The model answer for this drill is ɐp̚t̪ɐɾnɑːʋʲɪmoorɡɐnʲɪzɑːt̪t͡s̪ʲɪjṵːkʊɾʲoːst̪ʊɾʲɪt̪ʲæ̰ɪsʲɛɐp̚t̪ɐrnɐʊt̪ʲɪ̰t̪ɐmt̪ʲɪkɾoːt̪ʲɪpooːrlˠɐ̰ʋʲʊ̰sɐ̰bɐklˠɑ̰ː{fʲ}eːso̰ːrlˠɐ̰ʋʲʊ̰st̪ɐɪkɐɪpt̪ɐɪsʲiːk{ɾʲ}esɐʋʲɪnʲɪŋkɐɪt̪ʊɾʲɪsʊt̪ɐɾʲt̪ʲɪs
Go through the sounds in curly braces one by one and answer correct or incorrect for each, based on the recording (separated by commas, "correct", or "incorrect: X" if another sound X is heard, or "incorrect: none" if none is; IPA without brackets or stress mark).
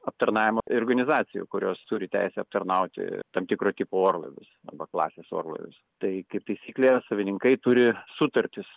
incorrect: sʲ, incorrect: lʲ